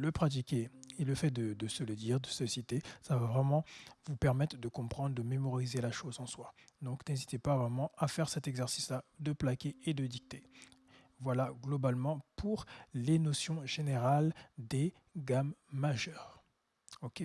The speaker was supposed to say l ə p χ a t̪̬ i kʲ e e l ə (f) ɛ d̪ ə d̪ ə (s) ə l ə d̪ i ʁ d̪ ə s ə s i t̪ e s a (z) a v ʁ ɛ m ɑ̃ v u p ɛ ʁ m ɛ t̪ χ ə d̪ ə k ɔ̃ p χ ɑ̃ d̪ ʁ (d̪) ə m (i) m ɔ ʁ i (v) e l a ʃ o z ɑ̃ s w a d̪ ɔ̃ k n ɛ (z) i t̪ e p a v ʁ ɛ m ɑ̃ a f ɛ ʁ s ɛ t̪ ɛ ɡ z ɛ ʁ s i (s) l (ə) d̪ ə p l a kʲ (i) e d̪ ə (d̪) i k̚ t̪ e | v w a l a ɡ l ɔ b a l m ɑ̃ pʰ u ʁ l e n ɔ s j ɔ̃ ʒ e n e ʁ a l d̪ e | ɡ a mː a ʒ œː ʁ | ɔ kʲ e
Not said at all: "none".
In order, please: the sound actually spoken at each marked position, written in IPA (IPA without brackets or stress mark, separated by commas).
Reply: f, s, v, d̪, e, z, z, s, a, e, d̪